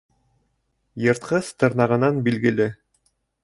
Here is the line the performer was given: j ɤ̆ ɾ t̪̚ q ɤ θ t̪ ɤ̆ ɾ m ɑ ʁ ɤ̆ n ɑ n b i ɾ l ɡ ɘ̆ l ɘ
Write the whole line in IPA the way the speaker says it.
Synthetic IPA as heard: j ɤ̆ ɾ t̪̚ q ɤ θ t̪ ɤ̆ ɾ n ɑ ʁ ɤ̆ n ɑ n b i l ɡ ɘ̆ l ɘ